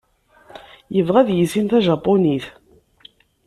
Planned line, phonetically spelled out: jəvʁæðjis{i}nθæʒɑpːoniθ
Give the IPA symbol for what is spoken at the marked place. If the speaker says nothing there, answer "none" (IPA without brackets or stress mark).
i